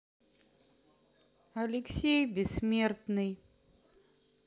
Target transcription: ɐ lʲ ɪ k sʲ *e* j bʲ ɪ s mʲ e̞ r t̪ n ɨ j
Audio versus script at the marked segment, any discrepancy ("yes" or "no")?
no